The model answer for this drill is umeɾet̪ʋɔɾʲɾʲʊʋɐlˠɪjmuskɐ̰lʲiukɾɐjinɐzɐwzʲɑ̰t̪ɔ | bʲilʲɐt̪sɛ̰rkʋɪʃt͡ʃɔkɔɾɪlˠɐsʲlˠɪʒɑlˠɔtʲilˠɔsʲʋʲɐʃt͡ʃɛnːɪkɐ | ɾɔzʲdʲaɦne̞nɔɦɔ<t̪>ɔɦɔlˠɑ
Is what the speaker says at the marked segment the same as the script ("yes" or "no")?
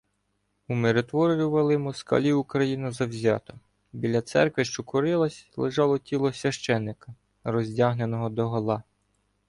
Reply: no